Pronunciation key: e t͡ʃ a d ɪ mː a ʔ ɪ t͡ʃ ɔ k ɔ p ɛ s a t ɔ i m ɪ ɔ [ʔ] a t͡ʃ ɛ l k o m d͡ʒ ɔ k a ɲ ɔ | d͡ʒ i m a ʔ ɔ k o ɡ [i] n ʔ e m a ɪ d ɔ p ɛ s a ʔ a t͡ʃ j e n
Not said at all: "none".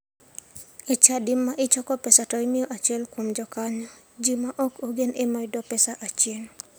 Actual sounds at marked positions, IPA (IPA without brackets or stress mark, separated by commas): ʔ, e